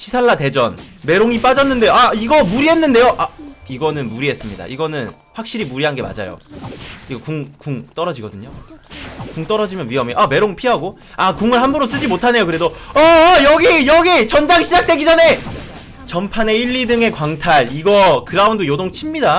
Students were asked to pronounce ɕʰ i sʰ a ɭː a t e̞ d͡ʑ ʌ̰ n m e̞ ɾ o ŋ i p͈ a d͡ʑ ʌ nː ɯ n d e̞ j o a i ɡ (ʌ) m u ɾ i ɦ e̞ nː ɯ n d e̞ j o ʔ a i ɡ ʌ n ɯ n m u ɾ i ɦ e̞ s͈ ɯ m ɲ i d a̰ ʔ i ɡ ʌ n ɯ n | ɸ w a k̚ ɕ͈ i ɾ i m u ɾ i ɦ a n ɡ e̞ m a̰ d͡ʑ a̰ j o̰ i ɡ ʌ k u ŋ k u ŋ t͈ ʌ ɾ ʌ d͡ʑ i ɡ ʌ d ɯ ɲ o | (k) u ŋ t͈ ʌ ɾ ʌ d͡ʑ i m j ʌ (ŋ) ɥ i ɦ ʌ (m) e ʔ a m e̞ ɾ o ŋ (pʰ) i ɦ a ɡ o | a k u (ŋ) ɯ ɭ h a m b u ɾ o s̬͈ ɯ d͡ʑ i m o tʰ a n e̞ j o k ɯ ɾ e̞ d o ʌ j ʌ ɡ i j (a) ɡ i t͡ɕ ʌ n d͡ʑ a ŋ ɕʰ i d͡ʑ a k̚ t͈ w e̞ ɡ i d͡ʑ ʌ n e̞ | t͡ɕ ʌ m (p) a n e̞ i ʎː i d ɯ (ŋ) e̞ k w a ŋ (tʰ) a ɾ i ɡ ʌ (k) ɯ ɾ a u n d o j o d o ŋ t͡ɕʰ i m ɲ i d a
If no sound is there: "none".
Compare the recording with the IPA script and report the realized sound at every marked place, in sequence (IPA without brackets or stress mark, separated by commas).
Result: ʌ, k, n, m, pʰ, ŋ, ʌ, pʰ, ŋ, tʰ, k